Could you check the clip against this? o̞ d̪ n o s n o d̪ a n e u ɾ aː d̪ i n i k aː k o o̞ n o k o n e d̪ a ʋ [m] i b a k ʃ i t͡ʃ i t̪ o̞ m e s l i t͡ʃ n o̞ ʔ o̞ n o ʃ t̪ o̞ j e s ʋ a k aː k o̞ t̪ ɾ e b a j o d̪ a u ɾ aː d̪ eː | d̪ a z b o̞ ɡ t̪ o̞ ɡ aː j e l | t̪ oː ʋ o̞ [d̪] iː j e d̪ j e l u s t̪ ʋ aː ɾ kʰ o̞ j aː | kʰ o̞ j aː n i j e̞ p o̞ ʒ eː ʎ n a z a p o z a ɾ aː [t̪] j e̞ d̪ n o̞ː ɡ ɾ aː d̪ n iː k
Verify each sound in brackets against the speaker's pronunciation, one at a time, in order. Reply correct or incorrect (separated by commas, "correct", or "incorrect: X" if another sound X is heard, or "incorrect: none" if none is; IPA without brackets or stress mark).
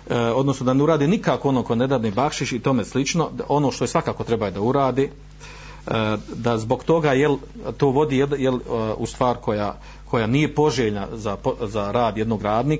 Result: incorrect: n, correct, incorrect: d̪